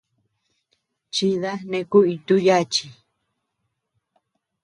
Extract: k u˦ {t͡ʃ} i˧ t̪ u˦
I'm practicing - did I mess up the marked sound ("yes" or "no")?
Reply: yes